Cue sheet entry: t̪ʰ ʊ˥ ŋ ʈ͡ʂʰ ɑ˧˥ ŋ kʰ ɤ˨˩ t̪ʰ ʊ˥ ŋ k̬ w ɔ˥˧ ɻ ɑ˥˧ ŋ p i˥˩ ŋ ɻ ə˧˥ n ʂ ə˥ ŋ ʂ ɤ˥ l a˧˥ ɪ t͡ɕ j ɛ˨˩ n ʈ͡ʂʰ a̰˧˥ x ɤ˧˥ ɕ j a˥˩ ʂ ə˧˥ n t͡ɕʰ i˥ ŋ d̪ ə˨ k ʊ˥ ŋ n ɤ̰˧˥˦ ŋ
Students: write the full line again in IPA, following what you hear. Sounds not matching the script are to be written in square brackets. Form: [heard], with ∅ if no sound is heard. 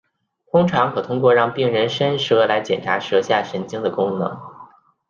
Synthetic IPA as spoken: t̪ʰ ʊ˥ ŋ ʈ͡ʂʰ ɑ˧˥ ŋ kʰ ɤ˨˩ t̪ʰ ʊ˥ ŋ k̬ w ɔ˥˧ ɻ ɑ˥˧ ŋ p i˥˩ ŋ ɻ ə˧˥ n ʂ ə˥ [n] ʂ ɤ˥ l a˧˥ ɪ t͡ɕ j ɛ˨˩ n ʈ͡ʂʰ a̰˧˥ [ʂ] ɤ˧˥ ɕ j a˥˩ ʂ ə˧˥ n [t͡ɕ] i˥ ŋ d̪ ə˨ k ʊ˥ ŋ n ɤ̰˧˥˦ ŋ